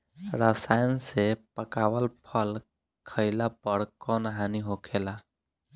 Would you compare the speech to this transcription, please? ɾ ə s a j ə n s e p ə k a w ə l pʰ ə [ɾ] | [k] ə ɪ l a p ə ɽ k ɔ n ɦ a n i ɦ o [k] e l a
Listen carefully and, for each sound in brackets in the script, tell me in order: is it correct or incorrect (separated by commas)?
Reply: incorrect, incorrect, incorrect